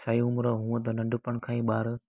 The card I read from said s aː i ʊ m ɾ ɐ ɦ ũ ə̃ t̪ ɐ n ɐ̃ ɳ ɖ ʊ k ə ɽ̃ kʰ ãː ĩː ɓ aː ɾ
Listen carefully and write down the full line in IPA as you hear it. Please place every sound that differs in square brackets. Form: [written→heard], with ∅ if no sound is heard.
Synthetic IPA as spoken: s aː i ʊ m ɾ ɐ ɦ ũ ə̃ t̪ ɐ n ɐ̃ ɳ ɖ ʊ [k→p] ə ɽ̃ kʰ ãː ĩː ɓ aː ɾ